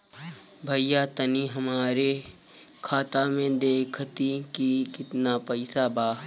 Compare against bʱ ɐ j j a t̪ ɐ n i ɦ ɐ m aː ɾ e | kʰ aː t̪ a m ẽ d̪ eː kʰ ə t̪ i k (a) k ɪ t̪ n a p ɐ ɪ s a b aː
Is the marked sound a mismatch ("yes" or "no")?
yes